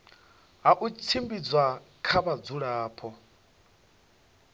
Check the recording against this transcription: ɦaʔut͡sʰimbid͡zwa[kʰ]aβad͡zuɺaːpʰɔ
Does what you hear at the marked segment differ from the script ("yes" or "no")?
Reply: no